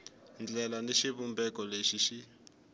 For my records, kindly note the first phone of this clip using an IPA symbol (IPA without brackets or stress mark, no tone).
n